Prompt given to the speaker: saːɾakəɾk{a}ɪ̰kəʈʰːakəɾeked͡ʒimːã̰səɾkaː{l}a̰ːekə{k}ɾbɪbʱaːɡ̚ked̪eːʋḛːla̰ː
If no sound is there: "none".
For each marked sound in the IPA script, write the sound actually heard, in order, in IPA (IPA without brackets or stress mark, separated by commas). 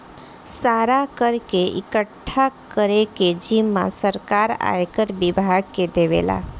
e, ɾ, none